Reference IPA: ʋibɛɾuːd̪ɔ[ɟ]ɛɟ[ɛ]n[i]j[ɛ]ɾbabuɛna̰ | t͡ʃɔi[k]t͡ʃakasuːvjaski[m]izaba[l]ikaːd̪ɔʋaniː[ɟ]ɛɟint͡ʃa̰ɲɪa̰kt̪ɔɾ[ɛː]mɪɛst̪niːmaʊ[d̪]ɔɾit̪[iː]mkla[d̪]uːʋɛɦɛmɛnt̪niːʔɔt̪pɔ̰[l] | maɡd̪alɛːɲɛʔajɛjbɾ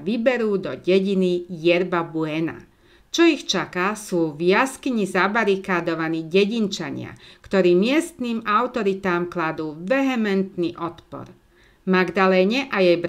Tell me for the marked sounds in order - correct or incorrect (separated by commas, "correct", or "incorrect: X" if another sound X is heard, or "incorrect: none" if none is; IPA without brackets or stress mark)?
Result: correct, incorrect: i, correct, correct, incorrect: x, incorrect: ɲ, incorrect: ɾ, correct, incorrect: iː, incorrect: t̪, incorrect: aː, correct, incorrect: ɾ